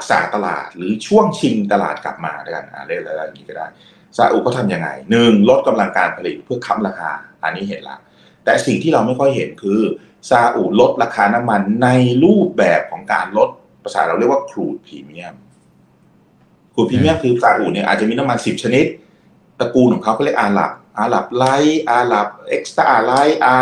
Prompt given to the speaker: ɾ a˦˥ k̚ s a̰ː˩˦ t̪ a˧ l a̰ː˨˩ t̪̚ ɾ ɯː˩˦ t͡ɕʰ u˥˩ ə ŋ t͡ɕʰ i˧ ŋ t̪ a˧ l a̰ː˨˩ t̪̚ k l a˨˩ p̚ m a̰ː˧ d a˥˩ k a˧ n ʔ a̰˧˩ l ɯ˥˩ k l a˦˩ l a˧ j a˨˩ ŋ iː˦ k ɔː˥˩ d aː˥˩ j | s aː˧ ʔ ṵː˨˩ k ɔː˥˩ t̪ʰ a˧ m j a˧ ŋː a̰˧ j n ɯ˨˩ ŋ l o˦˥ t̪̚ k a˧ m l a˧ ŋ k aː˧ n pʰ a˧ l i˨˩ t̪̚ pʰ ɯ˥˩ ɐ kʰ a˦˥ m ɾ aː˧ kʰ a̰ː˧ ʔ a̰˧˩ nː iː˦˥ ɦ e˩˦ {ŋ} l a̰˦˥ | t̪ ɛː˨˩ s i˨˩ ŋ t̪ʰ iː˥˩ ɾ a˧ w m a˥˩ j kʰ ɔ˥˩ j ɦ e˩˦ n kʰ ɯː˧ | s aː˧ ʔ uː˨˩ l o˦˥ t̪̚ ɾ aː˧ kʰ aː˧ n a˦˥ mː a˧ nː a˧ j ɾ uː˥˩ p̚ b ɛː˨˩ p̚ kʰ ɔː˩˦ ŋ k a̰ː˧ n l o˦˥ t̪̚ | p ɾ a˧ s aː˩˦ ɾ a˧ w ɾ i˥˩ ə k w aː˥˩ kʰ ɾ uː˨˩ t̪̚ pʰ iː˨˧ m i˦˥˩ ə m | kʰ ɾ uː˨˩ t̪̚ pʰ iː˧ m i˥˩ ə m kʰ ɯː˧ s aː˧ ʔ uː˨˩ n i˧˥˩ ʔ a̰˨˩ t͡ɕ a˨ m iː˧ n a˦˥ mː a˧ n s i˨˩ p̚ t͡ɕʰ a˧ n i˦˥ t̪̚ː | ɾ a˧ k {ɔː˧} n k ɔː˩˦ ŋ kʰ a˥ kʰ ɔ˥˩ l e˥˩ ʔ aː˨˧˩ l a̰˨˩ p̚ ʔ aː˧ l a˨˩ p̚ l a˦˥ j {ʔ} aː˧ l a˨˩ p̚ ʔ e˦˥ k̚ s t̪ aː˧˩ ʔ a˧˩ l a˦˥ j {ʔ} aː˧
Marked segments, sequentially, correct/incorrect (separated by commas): incorrect, incorrect, correct, correct